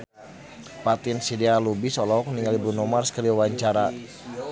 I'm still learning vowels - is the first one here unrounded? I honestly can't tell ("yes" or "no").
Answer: yes